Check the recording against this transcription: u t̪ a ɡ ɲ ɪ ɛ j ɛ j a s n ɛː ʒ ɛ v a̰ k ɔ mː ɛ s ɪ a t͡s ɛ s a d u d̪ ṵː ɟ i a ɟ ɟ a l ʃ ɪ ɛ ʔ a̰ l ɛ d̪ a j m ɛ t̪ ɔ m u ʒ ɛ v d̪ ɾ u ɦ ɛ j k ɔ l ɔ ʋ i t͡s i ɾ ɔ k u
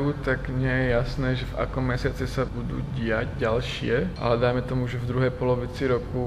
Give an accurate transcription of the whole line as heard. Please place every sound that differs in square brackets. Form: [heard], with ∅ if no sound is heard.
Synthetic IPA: u t̪ a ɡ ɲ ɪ ɛ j ɛ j a s n ɛː ʒ ɛ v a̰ k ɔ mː ɛ s ɪ a t͡s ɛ s a [b] u d̪ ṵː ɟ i a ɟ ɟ a l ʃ ɪ ɛ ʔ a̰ l ɛ d̪ a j m ɛ t̪ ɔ m u ʒ ɛ v d̪ ɾ u ɦ ɛ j [p] ɔ l ɔ ʋ i t͡s i ɾ ɔ k u